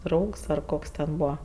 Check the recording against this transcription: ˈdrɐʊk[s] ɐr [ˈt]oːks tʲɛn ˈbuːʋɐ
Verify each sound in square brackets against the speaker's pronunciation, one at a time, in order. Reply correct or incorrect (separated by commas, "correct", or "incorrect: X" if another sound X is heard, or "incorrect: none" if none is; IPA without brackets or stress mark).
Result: correct, incorrect: k